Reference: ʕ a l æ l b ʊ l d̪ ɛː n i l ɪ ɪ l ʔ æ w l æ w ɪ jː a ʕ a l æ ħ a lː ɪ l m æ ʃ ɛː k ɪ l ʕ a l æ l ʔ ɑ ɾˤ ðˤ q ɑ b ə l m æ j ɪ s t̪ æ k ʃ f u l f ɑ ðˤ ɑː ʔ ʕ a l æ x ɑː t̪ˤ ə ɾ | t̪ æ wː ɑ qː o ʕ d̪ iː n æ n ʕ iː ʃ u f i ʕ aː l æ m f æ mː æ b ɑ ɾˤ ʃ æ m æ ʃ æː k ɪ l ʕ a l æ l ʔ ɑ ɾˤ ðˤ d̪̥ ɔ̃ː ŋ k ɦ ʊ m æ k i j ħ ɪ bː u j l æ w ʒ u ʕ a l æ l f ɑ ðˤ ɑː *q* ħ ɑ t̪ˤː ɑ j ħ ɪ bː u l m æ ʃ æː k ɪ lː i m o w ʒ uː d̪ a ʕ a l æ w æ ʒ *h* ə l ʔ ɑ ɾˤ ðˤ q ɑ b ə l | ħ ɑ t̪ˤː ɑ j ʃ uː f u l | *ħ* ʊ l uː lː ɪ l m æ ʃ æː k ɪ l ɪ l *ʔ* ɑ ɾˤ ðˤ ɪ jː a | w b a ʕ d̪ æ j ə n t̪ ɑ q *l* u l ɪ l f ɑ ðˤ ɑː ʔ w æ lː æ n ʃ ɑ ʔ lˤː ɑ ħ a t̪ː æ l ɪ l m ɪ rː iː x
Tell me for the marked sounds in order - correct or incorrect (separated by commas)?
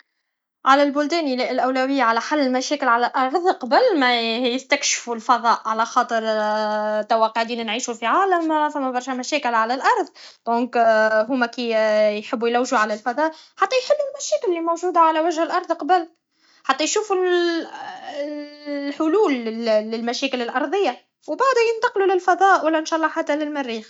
incorrect, correct, correct, correct, correct